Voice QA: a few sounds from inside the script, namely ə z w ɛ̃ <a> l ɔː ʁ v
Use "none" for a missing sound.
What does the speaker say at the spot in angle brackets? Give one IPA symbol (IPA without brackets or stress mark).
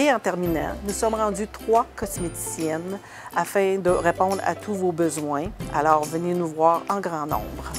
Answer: a